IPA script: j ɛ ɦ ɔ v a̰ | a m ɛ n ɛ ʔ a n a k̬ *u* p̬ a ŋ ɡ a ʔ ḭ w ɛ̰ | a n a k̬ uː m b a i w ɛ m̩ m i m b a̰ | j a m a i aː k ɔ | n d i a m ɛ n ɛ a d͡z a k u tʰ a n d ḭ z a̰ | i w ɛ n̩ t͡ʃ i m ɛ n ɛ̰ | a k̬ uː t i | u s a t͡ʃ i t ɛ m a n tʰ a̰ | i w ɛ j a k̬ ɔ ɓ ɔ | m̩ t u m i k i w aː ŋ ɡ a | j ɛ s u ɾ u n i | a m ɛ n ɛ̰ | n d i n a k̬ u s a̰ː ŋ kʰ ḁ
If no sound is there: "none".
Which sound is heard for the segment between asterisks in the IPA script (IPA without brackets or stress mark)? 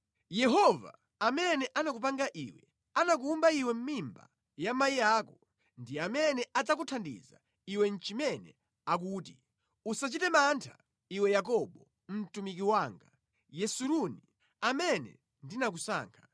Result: u